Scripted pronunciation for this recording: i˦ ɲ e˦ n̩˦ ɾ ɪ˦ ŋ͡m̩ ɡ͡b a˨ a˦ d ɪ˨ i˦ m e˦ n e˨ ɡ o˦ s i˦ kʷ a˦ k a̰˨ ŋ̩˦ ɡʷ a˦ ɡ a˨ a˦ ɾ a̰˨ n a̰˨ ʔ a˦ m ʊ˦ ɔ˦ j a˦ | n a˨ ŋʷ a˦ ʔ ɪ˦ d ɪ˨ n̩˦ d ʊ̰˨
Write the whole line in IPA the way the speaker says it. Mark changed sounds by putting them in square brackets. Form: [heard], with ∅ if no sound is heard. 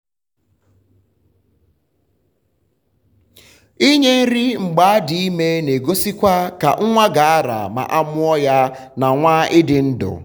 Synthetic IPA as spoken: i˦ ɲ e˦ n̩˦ ɾ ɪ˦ ŋ͡m̩ ɡ͡b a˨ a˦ d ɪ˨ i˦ m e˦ n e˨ ɡ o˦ s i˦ kʷ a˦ k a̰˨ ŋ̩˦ [ŋʷ] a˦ ɡ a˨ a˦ ɾ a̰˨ [m] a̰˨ ʔ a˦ m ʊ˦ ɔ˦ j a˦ | n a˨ ŋʷ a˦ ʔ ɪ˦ d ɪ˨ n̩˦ d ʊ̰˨